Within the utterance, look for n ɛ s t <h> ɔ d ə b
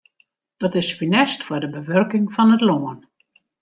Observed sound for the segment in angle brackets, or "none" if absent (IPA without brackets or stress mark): f